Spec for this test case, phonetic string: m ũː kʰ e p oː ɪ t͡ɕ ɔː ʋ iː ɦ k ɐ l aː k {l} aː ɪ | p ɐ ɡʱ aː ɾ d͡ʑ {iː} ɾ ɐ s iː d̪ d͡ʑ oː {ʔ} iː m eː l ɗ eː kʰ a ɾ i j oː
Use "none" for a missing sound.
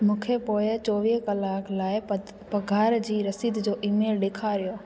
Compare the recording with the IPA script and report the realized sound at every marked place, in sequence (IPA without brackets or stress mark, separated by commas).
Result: l, iː, ʔ